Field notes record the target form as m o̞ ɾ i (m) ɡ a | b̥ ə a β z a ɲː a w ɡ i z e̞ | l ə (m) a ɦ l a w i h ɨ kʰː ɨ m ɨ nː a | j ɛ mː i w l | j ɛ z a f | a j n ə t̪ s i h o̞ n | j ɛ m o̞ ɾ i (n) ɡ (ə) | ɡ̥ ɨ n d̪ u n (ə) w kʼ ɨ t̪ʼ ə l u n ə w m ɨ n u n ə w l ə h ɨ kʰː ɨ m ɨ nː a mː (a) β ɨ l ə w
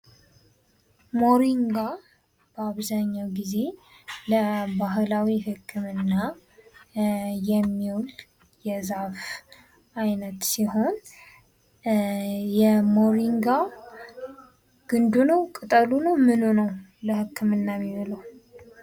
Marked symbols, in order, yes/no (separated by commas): no, no, no, no, yes, no